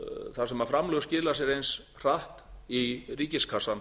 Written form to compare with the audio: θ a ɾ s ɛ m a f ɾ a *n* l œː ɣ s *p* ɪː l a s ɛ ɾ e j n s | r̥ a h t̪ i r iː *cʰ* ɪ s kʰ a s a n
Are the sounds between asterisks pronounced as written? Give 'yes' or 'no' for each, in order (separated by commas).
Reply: no, no, no